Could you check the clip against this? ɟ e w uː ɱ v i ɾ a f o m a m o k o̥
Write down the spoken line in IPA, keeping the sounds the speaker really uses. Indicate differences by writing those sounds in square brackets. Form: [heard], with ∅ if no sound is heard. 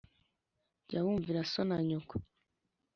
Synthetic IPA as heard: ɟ [a] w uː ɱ v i ɾ a [s] o [n] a [ɲ] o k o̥